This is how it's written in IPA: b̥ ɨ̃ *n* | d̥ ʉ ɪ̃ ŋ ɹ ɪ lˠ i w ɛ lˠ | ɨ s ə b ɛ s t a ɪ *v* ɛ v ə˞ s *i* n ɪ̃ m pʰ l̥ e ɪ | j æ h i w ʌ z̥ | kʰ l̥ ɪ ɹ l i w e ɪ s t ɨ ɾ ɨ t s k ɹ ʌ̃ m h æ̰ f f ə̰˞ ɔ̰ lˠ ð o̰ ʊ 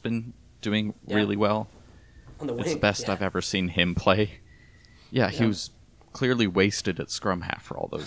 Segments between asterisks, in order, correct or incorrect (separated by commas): correct, correct, incorrect